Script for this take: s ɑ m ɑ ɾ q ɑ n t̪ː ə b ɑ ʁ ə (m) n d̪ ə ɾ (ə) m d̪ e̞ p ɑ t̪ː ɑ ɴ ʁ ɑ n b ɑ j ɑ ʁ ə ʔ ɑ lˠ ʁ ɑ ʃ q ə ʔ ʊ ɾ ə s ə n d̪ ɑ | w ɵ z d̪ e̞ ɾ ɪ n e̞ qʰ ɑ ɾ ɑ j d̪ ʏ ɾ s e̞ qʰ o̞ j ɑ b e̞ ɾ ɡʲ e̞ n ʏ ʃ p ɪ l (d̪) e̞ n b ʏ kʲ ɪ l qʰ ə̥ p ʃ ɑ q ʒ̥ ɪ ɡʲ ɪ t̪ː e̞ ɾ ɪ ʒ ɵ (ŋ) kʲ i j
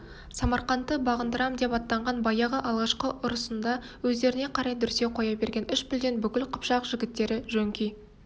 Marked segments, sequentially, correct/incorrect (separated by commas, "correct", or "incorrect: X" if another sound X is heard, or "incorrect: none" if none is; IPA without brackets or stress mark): incorrect: none, incorrect: ɑ, correct, correct